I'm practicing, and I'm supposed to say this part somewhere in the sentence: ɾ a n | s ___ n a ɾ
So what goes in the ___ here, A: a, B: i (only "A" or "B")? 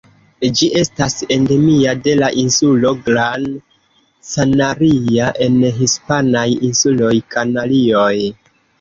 A